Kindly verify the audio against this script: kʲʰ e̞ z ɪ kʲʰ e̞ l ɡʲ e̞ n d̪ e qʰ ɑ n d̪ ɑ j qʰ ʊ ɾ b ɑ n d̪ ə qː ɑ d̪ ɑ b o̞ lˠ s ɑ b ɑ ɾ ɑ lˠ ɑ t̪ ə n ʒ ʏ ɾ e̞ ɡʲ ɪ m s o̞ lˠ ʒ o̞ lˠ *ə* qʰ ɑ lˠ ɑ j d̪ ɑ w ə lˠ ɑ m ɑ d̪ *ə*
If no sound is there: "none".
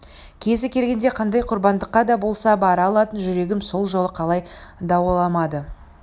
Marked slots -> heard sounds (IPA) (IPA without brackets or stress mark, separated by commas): ə, ə